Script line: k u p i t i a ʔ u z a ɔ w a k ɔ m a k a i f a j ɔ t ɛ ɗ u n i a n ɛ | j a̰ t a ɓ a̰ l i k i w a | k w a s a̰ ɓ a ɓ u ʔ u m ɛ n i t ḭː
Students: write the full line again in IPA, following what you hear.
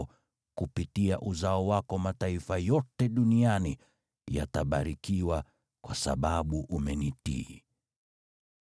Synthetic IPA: k u p i t i a ʔ u z a ɔ w a k ɔ m a t a i f a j ɔ t ɛ ɗ u n i a n i | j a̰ t a ɓ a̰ ɾ i k i w a | k w a s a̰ ɓ a ɓ u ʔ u m ɛ n i t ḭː